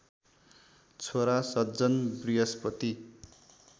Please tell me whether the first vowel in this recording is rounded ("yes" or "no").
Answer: yes